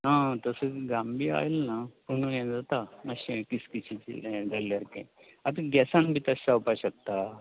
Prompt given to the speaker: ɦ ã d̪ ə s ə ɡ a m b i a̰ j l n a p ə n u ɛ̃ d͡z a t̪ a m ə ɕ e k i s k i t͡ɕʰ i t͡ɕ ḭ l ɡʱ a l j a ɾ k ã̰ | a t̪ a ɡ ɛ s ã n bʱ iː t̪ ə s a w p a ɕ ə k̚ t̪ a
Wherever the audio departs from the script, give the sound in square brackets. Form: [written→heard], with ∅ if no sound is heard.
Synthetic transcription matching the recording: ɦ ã [d̪→t̪] ə s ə ɡ a m b i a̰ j l n a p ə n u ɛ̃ d͡z a t̪ a m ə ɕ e k i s k i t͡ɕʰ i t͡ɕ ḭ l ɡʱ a l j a ɾ k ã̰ | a t̪ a ɡ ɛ s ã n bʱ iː t̪ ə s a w p a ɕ ə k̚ t̪ a